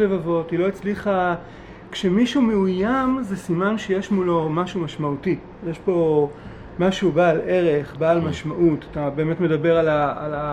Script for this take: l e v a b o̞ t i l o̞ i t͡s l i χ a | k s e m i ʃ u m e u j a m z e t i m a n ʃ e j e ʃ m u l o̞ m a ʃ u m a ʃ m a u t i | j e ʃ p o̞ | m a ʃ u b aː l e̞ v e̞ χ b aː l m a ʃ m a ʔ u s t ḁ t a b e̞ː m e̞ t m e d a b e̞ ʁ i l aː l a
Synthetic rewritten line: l e v a v o̞ t i l o̞ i t͡s l i χ a | k ʃ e m i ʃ u m e u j a m z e s i m a n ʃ e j e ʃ m u l o̞ m a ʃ u m a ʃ m a u t i | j e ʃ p o̞ | m a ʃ u b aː l e̞ ʁ e̞ χ b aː l m a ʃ m a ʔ u t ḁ t a b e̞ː m e̞ t m e d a b e̞ ʁ a l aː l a